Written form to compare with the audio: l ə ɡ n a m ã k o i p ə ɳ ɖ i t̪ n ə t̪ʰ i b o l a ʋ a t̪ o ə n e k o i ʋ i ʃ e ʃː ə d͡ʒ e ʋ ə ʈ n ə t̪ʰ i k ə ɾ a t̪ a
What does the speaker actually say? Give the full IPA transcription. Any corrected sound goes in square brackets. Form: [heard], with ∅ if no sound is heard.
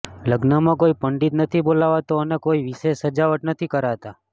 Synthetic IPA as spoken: l ə ɡ n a m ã k o i p ə ɳ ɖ i t̪ n ə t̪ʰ i b o l a ʋ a t̪ o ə n e k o i ʋ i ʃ e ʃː ə d͡ʒ [a] ʋ ə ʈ n ə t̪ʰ i k ə ɾ a t̪ a